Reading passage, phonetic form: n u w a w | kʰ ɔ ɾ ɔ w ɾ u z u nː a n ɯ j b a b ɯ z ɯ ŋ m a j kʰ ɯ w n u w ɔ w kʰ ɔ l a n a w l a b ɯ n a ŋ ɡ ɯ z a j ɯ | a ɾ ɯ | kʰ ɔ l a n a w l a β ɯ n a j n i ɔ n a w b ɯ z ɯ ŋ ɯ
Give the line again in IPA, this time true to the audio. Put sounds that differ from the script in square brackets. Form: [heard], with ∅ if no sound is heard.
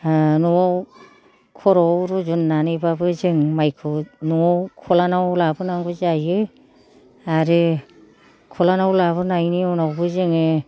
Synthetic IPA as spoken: n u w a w | kʰ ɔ ɾ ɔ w ɾ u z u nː a n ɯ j b a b ɯ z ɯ ŋ m a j kʰ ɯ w n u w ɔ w kʰ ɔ l a n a w l a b ɯ n a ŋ ɡ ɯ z a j ɯ | a ɾ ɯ | kʰ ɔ l a n a w l a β ɯ n a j n i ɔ n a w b ɯ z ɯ ŋ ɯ